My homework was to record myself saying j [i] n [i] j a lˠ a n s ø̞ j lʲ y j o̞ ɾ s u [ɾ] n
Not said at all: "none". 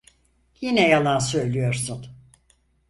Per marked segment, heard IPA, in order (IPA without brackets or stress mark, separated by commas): i, ɛ, none